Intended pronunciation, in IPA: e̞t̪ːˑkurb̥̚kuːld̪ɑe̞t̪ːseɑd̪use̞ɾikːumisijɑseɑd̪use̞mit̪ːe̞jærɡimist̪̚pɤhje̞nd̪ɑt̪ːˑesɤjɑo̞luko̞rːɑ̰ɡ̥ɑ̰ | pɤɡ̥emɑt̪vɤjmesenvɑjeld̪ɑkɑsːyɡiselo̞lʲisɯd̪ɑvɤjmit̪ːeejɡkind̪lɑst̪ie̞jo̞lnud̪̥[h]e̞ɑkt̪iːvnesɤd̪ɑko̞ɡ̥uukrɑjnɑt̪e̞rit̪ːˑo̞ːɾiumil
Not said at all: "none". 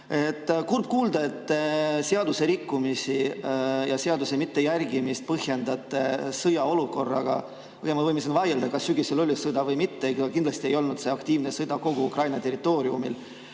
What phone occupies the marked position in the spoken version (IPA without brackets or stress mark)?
s